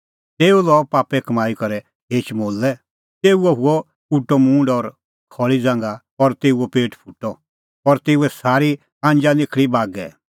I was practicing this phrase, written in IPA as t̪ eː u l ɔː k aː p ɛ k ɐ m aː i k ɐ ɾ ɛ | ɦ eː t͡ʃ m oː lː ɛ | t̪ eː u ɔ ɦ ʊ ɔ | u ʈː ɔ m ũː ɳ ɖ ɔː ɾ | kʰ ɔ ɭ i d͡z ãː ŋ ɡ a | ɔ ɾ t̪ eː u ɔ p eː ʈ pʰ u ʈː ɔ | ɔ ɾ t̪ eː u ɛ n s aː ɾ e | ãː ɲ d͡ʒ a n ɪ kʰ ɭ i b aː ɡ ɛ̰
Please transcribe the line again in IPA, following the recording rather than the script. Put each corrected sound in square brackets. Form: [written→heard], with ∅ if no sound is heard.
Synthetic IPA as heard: t̪ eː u l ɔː [k→p] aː p ɛ k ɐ m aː i k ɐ ɾ ɛ | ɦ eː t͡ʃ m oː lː ɛ | t̪ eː u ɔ ɦ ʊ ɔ | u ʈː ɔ m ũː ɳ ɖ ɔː ɾ | kʰ ɔ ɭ i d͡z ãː ŋ ɡ a | ɔ ɾ t̪ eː u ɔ p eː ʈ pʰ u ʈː ɔ | ɔ ɾ t̪ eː u ɛ [n→∅] s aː ɾ [e→i] | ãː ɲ d͡ʒ a n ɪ kʰ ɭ i b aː ɡ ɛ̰